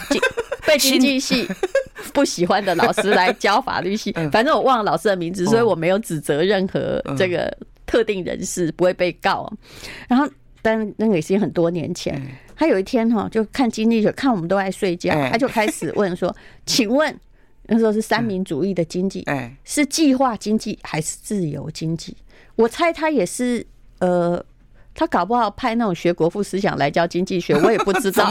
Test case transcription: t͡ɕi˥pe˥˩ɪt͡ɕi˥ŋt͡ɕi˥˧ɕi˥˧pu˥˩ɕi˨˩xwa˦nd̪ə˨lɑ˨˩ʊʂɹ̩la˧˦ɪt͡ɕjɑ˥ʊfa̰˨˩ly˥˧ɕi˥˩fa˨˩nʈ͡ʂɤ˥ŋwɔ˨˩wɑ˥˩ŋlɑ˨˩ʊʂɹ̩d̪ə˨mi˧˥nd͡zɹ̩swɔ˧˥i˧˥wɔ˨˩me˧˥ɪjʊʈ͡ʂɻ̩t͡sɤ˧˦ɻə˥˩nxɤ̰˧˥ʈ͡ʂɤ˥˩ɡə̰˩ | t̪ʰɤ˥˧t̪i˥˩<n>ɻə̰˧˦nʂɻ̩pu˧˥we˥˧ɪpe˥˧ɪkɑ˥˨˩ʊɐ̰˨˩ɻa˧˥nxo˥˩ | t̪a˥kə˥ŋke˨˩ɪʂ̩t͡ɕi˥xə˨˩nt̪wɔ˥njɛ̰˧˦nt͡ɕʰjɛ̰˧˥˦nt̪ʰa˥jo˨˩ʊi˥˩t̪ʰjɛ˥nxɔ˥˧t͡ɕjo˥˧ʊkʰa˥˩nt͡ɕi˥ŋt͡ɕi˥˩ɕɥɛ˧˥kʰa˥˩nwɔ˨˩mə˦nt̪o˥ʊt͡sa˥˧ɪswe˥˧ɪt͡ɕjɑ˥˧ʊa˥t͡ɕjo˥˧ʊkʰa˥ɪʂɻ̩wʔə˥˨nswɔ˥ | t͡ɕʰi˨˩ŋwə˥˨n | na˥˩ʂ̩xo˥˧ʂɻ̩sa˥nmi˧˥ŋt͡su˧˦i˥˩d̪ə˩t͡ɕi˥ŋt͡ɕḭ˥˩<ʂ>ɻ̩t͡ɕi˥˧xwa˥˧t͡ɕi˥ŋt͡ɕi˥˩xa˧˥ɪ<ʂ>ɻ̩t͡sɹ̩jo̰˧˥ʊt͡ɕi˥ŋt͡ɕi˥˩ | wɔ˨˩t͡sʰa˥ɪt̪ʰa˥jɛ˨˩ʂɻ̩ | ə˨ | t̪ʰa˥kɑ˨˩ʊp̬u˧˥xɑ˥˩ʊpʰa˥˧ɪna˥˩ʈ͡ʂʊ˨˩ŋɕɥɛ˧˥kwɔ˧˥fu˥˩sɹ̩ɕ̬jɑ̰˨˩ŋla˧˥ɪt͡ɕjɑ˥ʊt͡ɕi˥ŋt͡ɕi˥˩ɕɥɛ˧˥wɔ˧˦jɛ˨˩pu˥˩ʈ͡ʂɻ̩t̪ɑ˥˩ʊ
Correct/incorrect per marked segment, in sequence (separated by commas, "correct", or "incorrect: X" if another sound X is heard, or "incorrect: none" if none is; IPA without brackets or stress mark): incorrect: ŋ, correct, correct